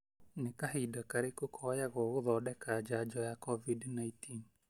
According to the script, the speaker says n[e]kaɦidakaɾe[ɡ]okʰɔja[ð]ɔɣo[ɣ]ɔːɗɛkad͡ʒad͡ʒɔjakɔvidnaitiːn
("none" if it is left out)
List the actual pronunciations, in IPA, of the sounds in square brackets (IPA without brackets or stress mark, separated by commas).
e, k, ɣ, ð